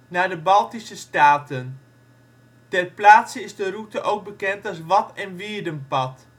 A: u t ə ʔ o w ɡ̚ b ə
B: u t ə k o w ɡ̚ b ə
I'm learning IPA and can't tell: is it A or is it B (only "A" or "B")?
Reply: A